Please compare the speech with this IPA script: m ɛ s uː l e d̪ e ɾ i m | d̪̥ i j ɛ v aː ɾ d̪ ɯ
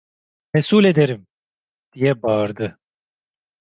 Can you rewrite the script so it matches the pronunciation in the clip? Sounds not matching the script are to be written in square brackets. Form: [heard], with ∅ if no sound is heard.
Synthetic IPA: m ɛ s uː l e d̪ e ɾ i m | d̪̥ i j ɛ [b] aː ɾ d̪ ɯ

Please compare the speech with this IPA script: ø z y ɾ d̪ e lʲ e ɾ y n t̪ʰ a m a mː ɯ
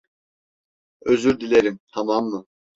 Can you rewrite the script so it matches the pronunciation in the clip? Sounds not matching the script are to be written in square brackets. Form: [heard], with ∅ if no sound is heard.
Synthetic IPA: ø z y ɾ d̪ [i] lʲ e ɾ [i] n t̪ʰ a m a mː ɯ

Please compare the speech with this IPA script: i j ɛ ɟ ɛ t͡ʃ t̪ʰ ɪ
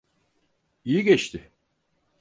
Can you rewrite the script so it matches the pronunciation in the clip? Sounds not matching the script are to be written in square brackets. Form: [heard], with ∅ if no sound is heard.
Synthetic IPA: i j [i] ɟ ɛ t͡ʃ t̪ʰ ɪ

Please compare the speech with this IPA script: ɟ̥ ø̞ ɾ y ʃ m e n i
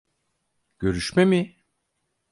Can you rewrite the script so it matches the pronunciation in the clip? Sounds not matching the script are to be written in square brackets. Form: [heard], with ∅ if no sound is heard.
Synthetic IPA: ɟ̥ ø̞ ɾ y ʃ m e [m] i

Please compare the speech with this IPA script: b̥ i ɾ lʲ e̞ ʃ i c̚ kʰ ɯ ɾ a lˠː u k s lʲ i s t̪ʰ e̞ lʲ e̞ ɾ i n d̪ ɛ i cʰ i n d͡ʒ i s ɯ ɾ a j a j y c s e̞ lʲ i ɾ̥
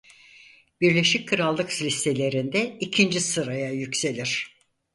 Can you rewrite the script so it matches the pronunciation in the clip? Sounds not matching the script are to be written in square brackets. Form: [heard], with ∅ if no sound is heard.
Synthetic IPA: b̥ i ɾ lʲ e̞ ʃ i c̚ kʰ ɯ ɾ a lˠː [ɯ] k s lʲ i s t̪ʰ e̞ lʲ e̞ ɾ i n d̪ ɛ i cʰ i n d͡ʒ i s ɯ ɾ a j a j y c s e̞ lʲ i ɾ̥

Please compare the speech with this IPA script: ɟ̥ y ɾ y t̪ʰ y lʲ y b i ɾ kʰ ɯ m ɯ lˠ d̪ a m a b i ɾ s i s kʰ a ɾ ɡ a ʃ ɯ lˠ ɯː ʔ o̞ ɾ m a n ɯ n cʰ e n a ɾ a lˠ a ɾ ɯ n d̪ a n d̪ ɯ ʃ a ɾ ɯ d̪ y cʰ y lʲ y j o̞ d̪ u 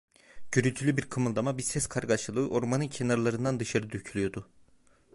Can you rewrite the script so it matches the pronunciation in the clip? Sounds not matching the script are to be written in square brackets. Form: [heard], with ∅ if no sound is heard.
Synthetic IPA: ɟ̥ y ɾ y t̪ʰ y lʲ y b i ɾ kʰ ɯ m ɯ lˠ d̪ a m a b i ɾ s [ɛ] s kʰ a ɾ ɡ a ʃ ɯ lˠ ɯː ʔ o̞ ɾ m a n ɯ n cʰ e n a ɾ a lˠ a ɾ ɯ n d̪ a n d̪ ɯ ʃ a ɾ ɯ d̪ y cʰ y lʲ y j o̞ d̪ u

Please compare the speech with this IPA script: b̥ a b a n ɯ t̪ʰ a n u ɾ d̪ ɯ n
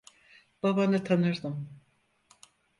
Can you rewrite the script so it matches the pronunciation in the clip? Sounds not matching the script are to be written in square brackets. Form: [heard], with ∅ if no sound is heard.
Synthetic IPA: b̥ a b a n ɯ t̪ʰ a n [ɯ] ɾ d̪ ɯ [m]

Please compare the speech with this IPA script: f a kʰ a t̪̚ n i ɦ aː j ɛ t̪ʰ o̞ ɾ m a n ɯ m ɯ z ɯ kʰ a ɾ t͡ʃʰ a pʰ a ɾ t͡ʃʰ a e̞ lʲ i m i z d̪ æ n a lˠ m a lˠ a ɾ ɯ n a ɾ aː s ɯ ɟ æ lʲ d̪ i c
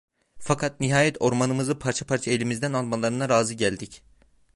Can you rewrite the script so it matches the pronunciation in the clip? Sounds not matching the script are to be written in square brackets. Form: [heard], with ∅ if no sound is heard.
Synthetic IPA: f a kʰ a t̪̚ n i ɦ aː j ɛ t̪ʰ o̞ ɾ m a n ɯ m ɯ z ɯ [pʰ] a ɾ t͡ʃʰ a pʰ a ɾ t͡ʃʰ a e̞ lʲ i m i z d̪ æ n a lˠ m a lˠ a ɾ ɯ n a ɾ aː [z] ɯ ɟ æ lʲ d̪ i c

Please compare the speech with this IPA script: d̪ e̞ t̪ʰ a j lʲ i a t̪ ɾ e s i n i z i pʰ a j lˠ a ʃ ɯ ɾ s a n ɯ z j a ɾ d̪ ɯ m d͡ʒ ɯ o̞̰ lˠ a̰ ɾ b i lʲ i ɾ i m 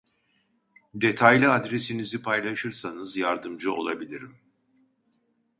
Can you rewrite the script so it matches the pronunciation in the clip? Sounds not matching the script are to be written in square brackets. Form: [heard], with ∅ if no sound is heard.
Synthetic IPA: d̪ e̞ t̪ʰ a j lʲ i a [d̪] ɾ e s i n i z i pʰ a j lˠ a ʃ ɯ ɾ s a n ɯ z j a ɾ d̪ ɯ m d͡ʒ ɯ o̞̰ lˠ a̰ [∅] b i lʲ i ɾ i m

